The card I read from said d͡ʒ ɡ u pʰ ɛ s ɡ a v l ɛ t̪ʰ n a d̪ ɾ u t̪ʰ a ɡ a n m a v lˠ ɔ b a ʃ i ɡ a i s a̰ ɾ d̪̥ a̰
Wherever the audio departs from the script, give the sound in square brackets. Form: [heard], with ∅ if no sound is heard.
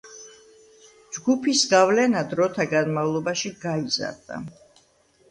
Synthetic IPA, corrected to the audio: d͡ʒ ɡ u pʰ [i] s ɡ a v l ɛ [∅] n a d̪ ɾ [ɔ] t̪ʰ a ɡ a n m a v lˠ ɔ b a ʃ i ɡ a i [z] a̰ ɾ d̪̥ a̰